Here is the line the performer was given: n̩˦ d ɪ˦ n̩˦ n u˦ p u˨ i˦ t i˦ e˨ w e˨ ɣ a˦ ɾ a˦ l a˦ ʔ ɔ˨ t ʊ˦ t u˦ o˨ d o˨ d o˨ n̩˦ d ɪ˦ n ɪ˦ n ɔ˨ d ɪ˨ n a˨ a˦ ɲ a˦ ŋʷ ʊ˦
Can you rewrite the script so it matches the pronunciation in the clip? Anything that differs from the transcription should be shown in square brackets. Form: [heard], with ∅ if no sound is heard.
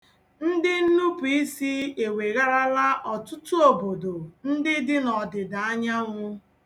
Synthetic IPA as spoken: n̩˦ d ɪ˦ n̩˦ n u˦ p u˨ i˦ [s] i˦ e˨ w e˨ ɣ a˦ ɾ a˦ l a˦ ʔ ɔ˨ t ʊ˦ t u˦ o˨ [b] o˨ d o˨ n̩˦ d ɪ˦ [d] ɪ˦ n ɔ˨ d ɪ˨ [d] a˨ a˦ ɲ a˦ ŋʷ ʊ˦